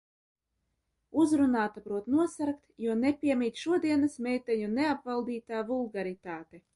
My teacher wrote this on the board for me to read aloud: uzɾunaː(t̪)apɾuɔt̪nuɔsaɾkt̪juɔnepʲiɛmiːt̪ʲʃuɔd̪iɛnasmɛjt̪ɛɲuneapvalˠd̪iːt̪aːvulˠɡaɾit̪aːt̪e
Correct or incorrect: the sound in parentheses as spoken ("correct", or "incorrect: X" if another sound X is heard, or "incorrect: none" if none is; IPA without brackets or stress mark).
correct